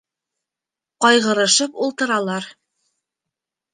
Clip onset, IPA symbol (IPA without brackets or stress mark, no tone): q